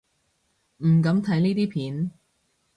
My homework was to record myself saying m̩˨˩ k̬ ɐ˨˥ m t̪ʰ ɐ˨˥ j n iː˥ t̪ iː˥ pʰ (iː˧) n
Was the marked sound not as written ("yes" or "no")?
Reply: yes